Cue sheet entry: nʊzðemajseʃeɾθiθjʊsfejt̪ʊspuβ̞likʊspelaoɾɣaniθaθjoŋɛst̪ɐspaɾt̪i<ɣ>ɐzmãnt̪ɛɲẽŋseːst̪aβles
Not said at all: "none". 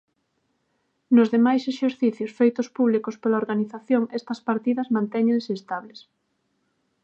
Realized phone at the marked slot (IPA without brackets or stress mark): ð